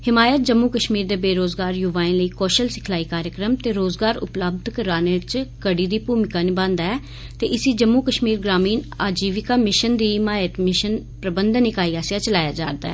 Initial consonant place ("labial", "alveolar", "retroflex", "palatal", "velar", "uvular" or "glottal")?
glottal